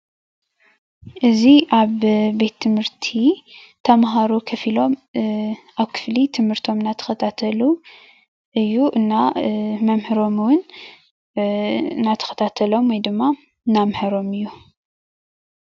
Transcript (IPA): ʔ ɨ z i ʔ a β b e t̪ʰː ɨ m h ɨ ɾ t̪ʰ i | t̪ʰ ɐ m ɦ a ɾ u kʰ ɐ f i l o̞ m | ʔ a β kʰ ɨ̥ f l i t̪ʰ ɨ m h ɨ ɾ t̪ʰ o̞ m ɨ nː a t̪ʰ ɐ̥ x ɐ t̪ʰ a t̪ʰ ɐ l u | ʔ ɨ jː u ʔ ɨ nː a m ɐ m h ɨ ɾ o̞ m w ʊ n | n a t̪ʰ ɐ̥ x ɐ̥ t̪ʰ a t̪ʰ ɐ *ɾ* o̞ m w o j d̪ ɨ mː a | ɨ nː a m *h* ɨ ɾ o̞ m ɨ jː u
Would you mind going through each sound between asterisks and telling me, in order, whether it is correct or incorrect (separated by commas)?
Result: incorrect, correct